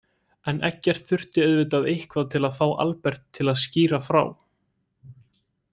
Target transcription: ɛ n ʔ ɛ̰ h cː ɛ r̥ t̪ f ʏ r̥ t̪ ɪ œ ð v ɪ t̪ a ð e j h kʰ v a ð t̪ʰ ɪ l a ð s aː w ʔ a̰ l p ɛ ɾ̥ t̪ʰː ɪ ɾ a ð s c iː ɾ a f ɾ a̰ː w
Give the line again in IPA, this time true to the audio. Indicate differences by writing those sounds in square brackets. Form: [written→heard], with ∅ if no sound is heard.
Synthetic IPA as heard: ɛ n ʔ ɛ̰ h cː ɛ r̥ t̪ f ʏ r̥ t̪ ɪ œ ð v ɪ t̪ a ð e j h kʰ v a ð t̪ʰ ɪ l a ð [s→f] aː w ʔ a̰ l p ɛ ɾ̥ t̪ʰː ɪ [ɾ→l] a ð s c iː ɾ a f ɾ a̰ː w